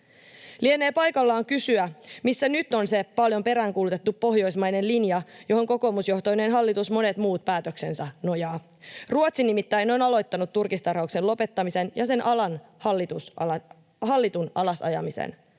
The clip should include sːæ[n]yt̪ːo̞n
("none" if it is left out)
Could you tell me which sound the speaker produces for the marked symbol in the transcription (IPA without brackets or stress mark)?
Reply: n